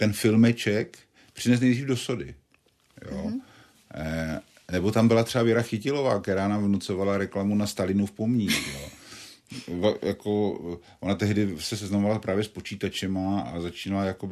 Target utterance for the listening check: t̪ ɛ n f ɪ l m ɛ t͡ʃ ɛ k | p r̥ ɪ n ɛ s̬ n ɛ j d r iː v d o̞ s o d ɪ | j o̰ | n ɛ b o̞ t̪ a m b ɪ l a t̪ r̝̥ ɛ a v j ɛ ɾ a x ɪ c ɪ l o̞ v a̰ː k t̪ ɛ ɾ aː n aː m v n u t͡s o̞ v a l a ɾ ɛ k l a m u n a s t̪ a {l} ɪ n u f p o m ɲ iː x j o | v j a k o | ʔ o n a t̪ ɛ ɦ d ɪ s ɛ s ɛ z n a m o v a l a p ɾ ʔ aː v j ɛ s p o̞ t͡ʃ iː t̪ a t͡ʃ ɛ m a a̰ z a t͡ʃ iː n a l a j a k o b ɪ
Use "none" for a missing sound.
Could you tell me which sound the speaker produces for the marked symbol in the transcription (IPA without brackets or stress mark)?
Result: l